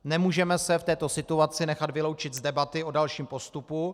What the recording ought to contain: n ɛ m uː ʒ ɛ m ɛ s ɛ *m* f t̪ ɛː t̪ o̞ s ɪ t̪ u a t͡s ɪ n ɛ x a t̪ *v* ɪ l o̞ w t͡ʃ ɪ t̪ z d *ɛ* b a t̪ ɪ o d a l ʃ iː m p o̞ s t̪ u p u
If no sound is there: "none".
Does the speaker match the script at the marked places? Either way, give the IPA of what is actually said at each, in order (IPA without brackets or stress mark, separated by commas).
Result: none, v, ɛ